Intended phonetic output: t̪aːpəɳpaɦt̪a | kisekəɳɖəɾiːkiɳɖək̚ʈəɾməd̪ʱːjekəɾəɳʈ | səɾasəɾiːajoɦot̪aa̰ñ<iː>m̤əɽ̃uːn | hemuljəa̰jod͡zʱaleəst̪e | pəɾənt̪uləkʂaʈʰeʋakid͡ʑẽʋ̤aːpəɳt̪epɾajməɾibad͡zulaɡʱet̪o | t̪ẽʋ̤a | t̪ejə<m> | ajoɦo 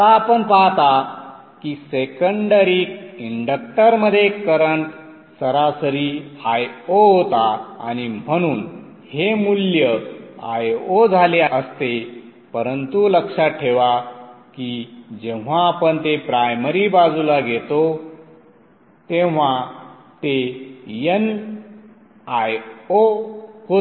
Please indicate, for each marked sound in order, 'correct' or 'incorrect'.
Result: incorrect, incorrect

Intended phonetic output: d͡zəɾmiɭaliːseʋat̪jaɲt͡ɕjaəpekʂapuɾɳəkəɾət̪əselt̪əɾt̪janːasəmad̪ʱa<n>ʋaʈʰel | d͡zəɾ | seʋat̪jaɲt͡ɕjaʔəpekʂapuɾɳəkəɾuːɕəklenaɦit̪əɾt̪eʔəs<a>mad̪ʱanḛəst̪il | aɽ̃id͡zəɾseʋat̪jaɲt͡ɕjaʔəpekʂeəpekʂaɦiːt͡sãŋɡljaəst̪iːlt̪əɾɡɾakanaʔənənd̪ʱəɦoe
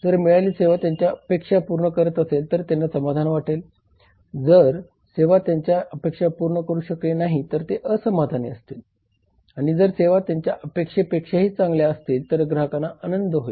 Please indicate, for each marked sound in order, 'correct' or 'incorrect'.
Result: correct, incorrect

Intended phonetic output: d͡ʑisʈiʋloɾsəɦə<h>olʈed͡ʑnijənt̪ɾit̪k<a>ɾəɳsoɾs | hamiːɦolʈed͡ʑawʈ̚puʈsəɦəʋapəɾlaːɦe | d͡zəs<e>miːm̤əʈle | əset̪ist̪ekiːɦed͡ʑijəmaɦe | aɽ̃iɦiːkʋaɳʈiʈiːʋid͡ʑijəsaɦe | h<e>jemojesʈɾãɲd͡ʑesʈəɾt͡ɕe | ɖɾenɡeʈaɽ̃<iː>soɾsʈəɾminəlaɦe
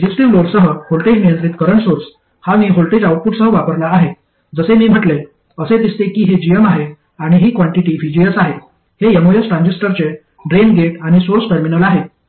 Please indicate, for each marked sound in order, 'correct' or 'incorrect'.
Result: correct, incorrect, correct, correct, incorrect

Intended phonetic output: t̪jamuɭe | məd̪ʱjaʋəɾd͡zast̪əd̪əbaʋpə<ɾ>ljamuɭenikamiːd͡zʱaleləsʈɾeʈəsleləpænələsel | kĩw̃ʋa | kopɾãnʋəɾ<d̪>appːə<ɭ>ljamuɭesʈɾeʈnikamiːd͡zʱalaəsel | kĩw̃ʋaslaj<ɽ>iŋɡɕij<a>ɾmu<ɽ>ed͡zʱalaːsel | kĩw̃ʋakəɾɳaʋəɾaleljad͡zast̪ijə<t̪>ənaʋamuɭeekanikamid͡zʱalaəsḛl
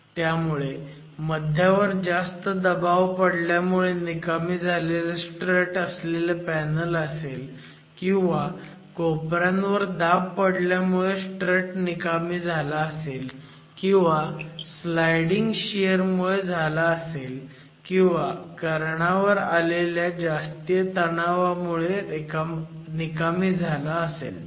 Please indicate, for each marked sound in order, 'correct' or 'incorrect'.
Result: incorrect, correct, incorrect, correct, incorrect, incorrect, correct

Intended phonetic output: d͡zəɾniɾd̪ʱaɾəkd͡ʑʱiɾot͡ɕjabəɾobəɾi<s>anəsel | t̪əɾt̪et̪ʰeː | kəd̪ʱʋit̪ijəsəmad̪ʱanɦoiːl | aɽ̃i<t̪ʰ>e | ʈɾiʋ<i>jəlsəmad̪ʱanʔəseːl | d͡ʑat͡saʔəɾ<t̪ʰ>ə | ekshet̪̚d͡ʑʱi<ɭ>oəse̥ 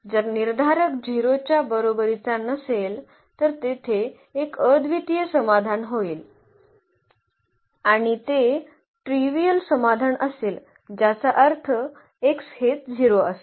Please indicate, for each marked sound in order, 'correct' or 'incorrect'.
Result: incorrect, incorrect, correct, correct, incorrect

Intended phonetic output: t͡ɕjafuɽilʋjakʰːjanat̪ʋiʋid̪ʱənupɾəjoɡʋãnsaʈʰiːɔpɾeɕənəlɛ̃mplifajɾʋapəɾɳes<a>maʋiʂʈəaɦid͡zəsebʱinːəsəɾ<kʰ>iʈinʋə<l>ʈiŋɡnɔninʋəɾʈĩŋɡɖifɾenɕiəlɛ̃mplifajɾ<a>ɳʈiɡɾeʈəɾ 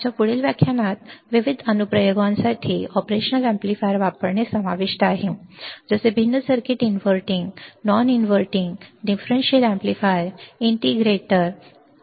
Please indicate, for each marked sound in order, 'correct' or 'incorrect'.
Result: incorrect, incorrect, incorrect, incorrect

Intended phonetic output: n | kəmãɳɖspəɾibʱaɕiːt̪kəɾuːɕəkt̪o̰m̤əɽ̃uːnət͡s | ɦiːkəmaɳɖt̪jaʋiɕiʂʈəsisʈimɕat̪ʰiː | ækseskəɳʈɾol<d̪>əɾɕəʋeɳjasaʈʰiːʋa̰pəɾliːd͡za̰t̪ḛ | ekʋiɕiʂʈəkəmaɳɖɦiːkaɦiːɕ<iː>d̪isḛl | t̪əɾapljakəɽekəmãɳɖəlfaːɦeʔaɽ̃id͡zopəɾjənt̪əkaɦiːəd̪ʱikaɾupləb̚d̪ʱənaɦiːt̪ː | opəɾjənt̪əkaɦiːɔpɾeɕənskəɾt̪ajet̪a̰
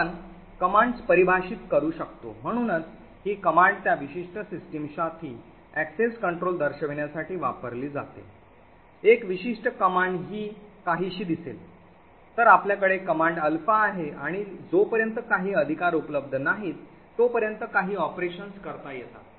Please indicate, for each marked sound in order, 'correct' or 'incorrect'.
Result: correct, correct

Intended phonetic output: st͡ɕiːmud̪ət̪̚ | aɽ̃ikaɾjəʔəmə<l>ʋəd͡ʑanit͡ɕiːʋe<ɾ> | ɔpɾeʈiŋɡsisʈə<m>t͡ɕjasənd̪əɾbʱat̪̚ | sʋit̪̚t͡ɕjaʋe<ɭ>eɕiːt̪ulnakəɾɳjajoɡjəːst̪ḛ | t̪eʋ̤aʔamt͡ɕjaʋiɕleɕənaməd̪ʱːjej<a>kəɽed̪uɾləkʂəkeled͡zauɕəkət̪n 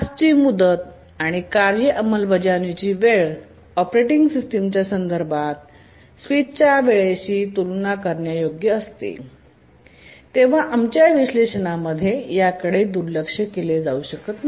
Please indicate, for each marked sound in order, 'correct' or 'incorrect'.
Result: correct, incorrect, correct, correct, correct

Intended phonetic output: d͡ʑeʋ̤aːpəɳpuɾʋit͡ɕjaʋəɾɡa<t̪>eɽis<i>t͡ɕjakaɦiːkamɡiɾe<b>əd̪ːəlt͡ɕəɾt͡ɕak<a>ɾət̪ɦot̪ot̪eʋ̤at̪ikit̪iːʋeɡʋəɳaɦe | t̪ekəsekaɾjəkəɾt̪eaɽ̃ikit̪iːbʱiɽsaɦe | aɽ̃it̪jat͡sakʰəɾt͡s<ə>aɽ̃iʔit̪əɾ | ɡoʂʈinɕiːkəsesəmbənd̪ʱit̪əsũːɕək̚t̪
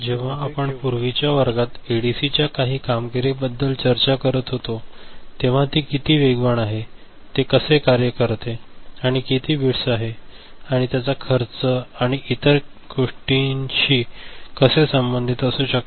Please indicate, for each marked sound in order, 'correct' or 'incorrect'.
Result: correct, correct, correct, incorrect, correct

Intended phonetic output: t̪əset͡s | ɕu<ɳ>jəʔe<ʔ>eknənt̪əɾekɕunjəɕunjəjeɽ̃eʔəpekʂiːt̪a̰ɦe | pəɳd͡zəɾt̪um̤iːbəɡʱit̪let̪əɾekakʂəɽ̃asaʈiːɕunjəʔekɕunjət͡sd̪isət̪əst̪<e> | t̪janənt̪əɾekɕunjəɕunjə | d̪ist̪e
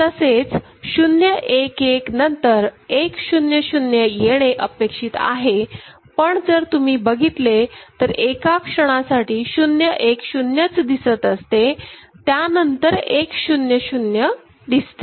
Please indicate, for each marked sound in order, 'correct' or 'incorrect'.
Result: incorrect, incorrect, correct

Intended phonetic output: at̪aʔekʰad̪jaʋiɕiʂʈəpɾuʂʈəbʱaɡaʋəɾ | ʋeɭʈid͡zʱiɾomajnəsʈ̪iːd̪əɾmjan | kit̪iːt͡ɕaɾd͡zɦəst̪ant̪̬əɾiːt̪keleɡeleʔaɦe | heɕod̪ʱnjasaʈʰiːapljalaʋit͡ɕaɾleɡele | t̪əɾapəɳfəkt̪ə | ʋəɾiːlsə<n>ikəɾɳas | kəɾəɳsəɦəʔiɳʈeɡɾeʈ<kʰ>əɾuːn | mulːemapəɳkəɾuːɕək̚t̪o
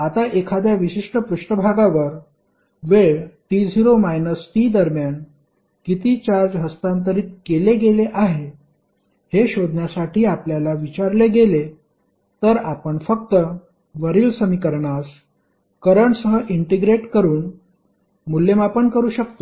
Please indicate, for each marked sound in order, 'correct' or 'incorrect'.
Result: incorrect, incorrect

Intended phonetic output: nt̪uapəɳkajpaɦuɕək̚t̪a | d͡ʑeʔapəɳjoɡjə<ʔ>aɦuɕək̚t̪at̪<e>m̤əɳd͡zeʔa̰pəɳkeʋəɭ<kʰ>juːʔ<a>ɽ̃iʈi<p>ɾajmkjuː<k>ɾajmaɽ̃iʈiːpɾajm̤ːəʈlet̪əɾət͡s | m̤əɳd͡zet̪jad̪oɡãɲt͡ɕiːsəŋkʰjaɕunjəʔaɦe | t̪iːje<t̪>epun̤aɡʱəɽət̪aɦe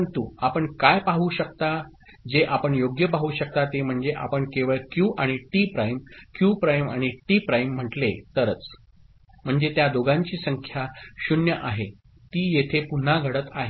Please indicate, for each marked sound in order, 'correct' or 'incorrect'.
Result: incorrect, correct, incorrect, correct, correct, incorrect, incorrect

